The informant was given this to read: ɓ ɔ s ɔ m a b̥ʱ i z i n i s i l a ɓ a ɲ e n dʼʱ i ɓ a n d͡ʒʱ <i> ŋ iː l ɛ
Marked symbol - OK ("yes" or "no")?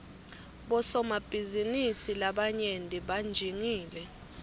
yes